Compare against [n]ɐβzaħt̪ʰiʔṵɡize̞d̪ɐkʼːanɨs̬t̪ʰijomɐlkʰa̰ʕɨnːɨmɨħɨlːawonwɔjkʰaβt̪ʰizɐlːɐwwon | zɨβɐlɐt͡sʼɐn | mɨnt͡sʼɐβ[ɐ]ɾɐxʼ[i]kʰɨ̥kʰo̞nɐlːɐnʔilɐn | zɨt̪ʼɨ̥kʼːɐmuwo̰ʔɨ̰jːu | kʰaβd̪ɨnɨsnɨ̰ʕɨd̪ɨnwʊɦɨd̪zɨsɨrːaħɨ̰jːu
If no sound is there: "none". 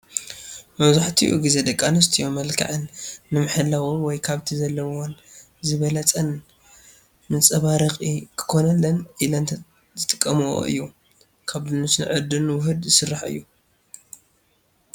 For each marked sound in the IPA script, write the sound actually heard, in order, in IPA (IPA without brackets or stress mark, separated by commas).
m, a, i